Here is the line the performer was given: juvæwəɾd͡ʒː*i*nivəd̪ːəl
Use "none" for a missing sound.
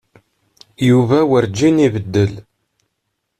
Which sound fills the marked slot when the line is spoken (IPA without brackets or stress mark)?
i